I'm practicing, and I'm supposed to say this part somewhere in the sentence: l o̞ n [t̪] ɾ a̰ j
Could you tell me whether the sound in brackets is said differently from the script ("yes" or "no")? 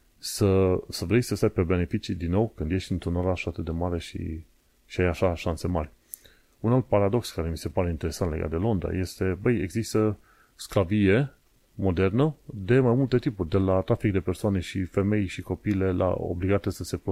yes